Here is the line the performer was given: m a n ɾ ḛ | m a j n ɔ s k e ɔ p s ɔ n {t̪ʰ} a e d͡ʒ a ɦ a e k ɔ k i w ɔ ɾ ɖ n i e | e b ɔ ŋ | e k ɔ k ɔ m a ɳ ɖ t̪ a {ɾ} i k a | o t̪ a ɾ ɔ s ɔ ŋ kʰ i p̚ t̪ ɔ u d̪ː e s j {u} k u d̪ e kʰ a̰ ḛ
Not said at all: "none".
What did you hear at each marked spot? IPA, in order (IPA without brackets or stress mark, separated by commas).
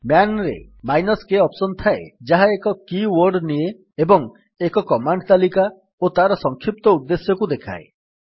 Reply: t̪ʰ, l, ɔ